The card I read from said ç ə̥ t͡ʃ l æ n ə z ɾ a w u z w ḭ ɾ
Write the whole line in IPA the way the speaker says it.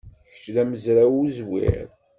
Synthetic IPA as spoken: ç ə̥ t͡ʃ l æ m ə z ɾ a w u z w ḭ ɾ